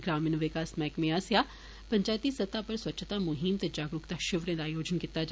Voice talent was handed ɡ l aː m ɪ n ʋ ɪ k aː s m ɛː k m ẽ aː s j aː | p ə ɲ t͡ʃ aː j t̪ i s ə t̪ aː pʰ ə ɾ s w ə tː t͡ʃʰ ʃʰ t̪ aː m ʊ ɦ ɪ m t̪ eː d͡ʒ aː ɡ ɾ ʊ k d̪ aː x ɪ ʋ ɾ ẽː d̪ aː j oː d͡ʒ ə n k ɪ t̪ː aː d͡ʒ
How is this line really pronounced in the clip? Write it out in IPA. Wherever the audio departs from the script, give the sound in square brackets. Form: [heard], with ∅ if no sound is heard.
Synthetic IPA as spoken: ɡ [ɾ] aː m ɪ n ʋ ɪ k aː s m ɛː k m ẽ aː s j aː | p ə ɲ t͡ʃ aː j t̪ i s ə t̪ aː [p] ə ɾ s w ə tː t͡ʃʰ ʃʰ t̪ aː m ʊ ɦ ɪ m t̪ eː d͡ʒ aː ɡ ɾ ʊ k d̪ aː [ʃ] ɪ ʋ ɾ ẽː d̪ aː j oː d͡ʒ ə n k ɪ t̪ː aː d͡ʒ